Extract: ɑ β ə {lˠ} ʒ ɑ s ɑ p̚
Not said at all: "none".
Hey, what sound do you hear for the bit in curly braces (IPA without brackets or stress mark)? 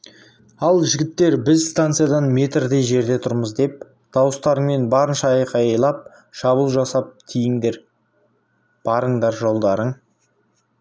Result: lˠ